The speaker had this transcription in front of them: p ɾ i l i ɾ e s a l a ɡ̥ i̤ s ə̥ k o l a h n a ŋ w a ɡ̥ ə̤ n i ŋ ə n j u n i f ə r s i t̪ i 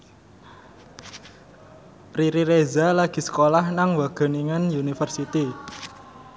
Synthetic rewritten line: p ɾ i ɾ i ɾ e z a l a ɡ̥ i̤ s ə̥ k o l a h n a ŋ w a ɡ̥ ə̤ n i ŋ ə n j u n i f ə r s i t̪ i

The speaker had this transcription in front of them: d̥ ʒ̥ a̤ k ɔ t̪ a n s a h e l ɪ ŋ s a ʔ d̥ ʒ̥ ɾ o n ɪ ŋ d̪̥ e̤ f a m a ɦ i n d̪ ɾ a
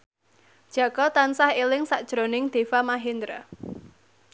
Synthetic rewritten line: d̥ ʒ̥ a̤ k ɔ t̪ a n s a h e l ɪ ŋ s a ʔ d̥ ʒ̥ ɾ o n ɪ ŋ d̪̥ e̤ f a m a ɦ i n d̪ ɾ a

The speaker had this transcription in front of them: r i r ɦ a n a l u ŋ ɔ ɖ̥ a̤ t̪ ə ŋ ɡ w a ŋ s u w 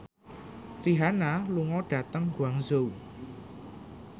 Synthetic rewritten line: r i ɦ a n a l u ŋ ɔ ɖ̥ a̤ t̪ ə ŋ ɡ w a ŋ z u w

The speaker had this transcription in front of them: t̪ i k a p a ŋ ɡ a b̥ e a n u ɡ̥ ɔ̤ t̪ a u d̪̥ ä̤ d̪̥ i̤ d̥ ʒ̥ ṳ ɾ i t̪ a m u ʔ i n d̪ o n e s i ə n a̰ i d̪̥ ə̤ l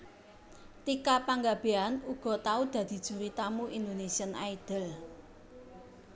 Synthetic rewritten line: t̪ i k a p a ŋ ɡ a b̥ e a n u ɡ̥ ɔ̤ t̪ a u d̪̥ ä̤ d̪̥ i̤ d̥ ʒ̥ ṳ ɾ i t̪ a m u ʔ i n d̪ o n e s i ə n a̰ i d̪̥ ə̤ l

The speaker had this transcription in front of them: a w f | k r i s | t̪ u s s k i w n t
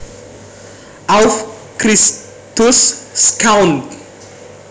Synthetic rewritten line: a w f | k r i s | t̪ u s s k a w n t

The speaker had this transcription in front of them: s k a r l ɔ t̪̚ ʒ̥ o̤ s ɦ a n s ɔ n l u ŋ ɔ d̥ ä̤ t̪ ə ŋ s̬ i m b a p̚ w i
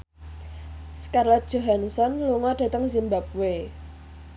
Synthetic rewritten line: s k a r l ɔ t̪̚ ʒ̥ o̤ ɦ a n s ɔ n l u ŋ ɔ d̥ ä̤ t̪ ə ŋ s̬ i m b a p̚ w e

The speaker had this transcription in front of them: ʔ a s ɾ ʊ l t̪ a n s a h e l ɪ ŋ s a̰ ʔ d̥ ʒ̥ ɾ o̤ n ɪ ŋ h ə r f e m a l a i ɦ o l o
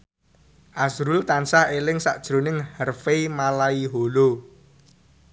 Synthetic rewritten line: ʔ a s ɾ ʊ l t̪ a n s a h e l ɪ ŋ s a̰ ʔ d̥ ʒ̥ ɾ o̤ n ɪ ŋ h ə r f e m a l a i ɦ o l o

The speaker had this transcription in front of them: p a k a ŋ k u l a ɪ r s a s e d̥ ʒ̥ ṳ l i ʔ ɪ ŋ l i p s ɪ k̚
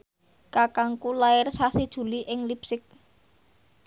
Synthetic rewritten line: k a k a ŋ k u l a ɪ r s a s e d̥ ʒ̥ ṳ l i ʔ ɪ ŋ l i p s ɪ k̚

